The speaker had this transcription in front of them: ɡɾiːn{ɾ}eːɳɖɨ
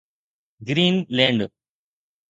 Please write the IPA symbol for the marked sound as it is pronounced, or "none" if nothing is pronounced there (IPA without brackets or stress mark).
l